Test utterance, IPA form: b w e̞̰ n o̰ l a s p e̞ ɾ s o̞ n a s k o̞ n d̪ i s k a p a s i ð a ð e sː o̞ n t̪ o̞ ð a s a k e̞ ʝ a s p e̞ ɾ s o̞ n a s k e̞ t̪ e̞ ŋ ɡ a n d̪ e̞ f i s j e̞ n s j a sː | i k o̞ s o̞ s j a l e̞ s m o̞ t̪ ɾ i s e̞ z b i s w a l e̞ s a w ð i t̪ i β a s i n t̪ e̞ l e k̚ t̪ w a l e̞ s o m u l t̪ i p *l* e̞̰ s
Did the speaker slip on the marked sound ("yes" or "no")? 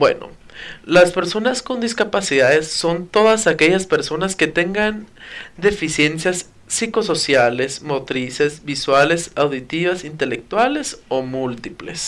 no